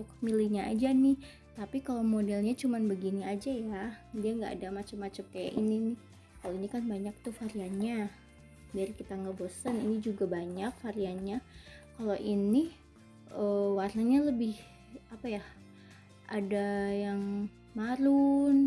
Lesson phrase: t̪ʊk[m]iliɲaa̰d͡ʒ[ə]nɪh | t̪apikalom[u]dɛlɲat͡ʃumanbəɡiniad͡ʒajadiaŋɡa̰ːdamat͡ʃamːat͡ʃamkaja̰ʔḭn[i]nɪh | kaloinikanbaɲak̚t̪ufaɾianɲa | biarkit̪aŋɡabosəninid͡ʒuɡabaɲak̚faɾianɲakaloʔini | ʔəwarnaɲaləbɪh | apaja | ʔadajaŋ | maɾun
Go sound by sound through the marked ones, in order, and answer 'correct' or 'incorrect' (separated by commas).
correct, incorrect, incorrect, correct